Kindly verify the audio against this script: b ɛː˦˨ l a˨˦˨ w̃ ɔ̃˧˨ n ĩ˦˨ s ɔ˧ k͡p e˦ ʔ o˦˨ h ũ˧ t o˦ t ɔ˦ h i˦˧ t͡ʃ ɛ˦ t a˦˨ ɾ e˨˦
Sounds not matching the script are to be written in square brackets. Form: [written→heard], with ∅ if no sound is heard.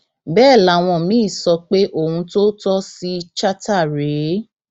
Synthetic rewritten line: b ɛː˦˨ l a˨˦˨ w̃ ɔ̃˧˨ [n→m] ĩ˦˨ s ɔ˧ k͡p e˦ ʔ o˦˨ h ũ˧ t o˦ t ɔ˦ [h→s] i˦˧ t͡ʃ [ɛ˦→a˦] t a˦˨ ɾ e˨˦